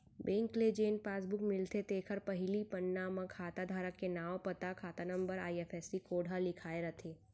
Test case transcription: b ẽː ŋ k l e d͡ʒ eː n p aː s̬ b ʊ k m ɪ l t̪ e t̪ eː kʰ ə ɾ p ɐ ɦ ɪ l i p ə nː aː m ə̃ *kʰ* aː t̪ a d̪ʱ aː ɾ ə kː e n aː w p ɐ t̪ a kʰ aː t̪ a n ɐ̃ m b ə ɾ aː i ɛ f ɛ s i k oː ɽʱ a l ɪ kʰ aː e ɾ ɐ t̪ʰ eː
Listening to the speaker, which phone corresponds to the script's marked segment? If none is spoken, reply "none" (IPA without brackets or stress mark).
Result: kʰ